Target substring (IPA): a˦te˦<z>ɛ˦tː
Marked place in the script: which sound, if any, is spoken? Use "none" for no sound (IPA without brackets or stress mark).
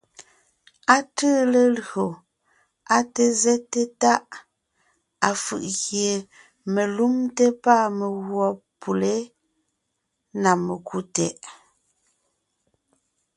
z